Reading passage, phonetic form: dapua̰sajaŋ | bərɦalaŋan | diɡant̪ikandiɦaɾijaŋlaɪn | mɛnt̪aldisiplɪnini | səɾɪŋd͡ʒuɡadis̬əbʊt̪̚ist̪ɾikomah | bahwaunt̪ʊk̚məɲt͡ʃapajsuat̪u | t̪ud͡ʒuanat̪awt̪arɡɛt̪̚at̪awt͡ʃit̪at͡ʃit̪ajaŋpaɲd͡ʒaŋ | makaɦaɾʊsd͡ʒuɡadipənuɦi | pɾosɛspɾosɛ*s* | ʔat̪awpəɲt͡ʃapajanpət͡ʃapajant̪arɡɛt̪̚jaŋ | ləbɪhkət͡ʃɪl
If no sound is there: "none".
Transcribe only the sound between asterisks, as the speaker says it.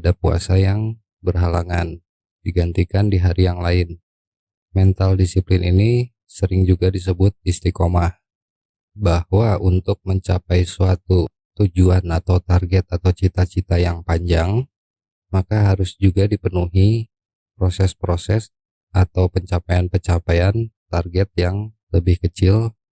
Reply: s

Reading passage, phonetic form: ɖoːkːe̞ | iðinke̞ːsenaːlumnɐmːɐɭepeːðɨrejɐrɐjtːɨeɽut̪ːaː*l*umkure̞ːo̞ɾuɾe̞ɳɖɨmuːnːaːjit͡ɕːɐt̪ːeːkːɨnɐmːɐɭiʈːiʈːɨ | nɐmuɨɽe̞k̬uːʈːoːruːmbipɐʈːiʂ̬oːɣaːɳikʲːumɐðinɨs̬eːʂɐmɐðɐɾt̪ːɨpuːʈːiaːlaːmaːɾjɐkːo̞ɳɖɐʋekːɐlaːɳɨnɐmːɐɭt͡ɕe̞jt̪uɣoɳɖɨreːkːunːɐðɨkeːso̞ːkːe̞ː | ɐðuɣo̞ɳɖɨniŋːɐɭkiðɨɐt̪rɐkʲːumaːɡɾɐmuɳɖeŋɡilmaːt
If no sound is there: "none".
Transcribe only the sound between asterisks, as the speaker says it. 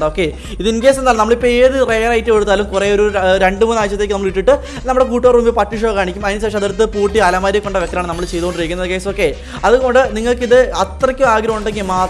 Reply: l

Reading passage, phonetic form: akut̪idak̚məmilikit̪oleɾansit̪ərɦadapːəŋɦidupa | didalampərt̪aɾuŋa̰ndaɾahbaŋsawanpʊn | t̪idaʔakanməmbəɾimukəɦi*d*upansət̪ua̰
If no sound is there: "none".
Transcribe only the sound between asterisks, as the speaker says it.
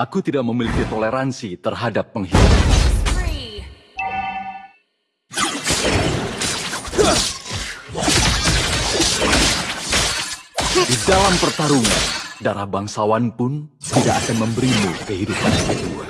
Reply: d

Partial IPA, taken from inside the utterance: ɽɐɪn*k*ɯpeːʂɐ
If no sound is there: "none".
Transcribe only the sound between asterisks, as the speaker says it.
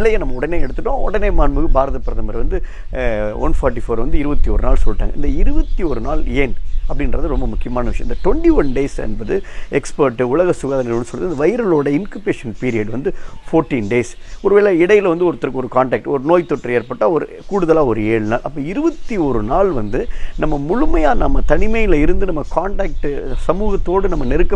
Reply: k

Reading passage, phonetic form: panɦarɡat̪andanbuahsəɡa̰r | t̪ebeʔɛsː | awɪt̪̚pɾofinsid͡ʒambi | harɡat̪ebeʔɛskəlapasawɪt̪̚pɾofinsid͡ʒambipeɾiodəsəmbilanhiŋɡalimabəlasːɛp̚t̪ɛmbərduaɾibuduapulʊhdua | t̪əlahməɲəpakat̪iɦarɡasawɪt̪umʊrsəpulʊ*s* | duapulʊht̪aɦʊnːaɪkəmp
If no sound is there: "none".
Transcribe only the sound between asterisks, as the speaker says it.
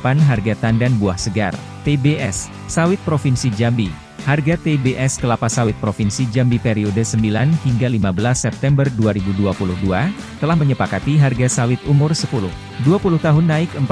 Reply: h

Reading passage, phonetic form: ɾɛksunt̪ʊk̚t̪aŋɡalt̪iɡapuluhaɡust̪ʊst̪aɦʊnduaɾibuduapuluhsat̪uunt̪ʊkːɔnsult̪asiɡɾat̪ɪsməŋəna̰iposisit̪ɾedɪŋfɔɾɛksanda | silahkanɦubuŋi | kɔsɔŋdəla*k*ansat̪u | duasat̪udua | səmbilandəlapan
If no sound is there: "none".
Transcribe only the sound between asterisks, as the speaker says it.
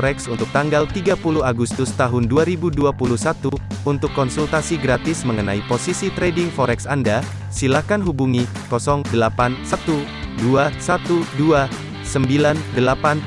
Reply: p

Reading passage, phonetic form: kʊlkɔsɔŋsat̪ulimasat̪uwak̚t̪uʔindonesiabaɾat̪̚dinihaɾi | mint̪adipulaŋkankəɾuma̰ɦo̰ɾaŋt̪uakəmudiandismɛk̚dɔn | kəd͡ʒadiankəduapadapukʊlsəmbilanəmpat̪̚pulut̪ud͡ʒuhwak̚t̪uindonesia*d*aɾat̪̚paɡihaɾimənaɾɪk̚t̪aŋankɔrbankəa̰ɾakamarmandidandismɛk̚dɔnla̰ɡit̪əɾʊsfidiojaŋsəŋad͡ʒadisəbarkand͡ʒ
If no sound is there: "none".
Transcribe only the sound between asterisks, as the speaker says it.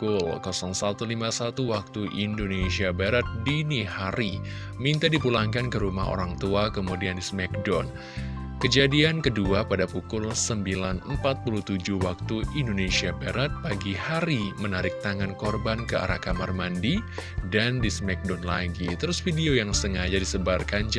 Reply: b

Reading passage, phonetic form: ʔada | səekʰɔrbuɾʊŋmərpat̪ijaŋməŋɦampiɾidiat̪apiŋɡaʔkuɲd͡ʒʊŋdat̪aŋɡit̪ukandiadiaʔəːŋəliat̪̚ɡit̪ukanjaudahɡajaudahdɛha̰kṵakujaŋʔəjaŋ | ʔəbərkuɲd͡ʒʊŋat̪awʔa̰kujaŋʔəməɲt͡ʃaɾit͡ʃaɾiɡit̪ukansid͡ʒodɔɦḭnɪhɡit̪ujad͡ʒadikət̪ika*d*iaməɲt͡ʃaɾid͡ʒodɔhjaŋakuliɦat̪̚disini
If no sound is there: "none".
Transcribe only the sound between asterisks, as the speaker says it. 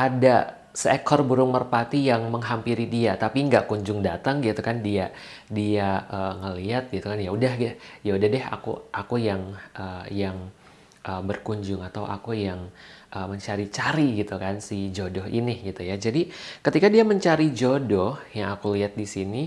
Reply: d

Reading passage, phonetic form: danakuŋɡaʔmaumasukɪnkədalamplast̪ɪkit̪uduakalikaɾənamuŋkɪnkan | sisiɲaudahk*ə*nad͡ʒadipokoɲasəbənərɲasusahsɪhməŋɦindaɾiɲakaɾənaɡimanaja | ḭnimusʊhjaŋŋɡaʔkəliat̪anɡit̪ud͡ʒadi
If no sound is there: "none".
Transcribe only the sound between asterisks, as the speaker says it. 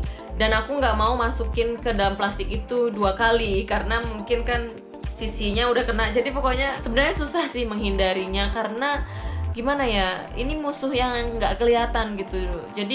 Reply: ə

